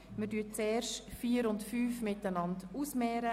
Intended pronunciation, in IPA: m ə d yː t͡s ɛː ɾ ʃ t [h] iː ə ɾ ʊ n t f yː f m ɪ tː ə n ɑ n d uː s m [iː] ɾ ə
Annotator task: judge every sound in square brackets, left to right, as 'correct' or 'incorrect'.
incorrect, incorrect

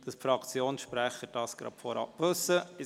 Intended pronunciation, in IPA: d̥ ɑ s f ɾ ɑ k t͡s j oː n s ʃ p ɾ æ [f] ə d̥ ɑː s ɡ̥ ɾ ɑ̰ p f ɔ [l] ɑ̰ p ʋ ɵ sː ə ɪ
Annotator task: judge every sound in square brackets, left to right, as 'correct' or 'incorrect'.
incorrect, incorrect

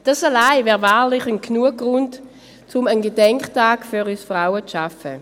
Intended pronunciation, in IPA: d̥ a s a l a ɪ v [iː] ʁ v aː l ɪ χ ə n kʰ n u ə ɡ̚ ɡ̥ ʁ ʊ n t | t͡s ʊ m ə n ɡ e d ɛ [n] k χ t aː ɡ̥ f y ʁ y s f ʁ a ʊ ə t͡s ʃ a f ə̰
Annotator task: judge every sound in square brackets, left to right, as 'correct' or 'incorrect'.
incorrect, incorrect

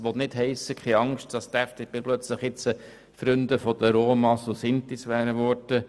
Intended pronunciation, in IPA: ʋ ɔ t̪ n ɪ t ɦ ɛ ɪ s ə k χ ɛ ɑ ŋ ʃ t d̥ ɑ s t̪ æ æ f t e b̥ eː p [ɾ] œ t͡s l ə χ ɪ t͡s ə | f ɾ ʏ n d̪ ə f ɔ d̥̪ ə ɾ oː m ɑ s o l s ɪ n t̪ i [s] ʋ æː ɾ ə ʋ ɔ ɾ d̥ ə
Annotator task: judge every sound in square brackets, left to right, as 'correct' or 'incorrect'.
incorrect, correct

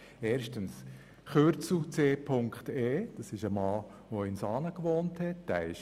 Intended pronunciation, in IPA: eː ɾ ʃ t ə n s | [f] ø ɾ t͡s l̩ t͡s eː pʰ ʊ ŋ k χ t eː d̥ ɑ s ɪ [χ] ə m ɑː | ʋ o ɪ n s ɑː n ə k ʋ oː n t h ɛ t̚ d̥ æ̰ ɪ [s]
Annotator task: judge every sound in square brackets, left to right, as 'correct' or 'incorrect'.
incorrect, incorrect, incorrect

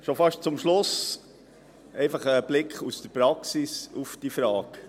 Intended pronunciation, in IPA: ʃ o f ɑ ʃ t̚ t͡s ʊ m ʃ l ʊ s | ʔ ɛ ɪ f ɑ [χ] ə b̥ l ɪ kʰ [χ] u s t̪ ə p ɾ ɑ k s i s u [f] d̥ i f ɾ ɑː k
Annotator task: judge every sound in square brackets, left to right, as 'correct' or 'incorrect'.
correct, correct, correct

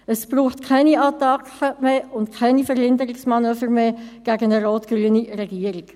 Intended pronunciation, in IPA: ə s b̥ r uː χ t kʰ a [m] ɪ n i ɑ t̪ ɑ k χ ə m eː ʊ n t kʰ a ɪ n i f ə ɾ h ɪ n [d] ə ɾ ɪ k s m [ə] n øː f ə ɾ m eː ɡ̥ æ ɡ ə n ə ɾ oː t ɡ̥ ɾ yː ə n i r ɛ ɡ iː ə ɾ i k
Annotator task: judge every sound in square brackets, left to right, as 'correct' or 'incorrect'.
incorrect, correct, incorrect

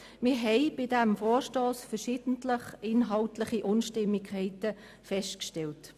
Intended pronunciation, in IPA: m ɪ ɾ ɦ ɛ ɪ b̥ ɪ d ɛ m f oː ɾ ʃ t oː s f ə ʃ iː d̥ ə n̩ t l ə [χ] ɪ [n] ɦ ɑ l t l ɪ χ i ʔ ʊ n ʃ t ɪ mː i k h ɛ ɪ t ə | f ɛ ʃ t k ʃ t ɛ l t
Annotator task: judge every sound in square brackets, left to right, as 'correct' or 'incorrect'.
correct, correct

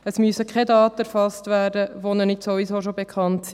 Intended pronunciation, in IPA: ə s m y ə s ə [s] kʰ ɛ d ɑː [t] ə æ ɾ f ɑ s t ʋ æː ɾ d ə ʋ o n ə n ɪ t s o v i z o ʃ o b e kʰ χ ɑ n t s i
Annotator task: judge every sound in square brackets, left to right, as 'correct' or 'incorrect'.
incorrect, correct

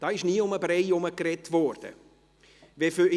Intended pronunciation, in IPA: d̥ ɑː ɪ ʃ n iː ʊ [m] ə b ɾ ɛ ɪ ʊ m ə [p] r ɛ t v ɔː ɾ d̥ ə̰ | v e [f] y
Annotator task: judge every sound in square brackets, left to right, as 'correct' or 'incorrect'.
correct, incorrect, correct

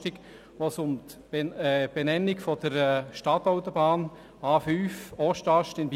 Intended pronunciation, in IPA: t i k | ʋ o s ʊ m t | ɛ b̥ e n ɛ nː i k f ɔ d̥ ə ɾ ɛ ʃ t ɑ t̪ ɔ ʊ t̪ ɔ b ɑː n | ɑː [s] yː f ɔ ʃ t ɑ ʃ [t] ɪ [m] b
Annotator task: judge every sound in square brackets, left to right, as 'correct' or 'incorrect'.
incorrect, correct, incorrect

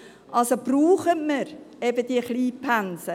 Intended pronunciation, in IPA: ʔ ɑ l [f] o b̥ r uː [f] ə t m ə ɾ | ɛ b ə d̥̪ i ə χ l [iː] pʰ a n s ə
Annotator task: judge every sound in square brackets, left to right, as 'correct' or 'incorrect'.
incorrect, incorrect, correct

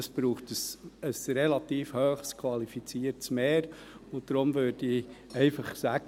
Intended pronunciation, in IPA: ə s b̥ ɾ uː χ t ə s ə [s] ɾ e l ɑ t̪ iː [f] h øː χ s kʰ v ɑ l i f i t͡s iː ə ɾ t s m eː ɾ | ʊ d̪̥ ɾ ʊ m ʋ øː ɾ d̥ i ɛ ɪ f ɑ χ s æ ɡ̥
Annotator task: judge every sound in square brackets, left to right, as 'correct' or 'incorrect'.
correct, correct

